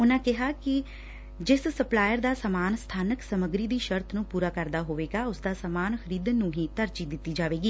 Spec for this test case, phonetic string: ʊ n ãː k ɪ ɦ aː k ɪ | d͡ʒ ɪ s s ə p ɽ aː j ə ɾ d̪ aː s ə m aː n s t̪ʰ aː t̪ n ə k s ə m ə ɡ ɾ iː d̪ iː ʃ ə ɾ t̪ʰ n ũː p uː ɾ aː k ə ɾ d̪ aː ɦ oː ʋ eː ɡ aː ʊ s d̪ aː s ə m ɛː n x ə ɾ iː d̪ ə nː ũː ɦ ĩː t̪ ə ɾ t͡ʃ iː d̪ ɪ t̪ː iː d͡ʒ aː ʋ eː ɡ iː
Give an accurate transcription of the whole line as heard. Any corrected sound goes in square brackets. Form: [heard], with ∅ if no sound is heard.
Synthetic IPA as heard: ʊ n ãː k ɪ ɦ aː k ɪ | d͡ʒ ɪ s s ə p [l] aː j ə ɾ d̪ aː s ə m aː n s t̪ʰ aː [∅] n ə k s ə m ə ɡ ɾ iː d̪ iː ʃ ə ɾ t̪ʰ n ũː p uː ɾ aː k ə ɾ d̪ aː ɦ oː ʋ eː ɡ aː ʊ s d̪ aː s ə m [aː] n x ə ɾ iː d̪ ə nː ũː ɦ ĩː t̪ ə ɾ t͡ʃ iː d̪ ɪ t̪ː iː d͡ʒ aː ʋ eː ɡ iː

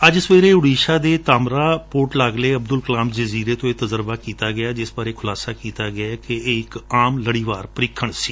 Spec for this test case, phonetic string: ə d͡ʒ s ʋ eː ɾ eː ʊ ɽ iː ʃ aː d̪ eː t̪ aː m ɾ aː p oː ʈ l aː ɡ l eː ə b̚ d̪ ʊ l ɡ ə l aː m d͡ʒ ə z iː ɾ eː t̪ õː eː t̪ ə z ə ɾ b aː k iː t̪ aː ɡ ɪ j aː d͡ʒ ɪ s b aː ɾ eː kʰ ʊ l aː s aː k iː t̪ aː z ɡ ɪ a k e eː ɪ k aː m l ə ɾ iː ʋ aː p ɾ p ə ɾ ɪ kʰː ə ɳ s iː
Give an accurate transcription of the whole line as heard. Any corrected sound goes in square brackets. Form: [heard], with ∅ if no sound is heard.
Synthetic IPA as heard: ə d͡ʒ s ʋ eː ɾ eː ʊ ɽ iː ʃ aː d̪ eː t̪ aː m ɾ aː p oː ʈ l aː ɡ l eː ə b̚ d̪ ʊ l [k] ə l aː m d͡ʒ ə z iː ɾ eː t̪ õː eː t̪ ə z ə ɾ b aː k iː t̪ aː ɡ ɪ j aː d͡ʒ ɪ s b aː ɾ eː kʰ ʊ l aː s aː k iː t̪ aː [∅] ɡ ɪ a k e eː ɪ k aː m l ə [ɽ] iː ʋ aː [∅] ɾ p ə ɾ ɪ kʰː ə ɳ s iː

